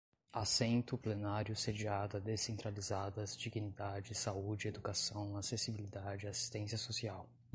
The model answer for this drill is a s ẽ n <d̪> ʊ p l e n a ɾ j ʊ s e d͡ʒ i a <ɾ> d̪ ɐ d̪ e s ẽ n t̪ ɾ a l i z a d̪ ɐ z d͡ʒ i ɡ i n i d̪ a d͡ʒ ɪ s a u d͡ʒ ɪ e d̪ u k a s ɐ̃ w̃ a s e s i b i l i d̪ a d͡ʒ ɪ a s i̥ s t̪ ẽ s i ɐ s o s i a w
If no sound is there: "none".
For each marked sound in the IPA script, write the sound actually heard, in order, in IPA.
t̪, none

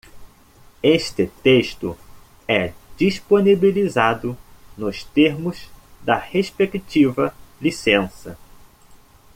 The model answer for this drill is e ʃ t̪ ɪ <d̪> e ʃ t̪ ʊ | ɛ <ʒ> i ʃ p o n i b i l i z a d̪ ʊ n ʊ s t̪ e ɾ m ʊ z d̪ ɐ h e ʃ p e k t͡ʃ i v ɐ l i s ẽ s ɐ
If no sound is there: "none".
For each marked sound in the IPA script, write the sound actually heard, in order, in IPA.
t̪, d͡ʒ

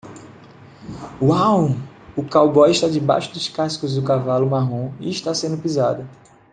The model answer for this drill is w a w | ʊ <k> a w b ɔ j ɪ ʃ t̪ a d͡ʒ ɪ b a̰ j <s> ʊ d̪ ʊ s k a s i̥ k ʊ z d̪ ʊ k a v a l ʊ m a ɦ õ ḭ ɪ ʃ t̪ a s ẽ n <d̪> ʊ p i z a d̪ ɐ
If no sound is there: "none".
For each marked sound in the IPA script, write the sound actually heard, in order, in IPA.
k, ʃ, d̪

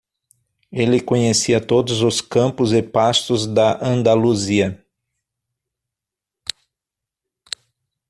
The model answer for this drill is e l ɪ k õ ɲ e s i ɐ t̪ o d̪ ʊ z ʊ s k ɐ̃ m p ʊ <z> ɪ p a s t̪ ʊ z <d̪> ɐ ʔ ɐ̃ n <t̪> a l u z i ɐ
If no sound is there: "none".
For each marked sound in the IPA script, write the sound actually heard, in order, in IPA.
z, d̪, d̪

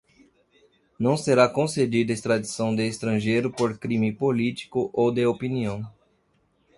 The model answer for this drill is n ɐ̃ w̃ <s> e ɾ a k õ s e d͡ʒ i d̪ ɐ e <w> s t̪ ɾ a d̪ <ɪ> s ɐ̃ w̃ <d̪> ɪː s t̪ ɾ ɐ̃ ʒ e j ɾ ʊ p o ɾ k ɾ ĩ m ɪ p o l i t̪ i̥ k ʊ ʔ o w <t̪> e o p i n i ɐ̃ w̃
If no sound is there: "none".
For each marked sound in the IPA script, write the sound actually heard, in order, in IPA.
s, none, i, d̪, d̪

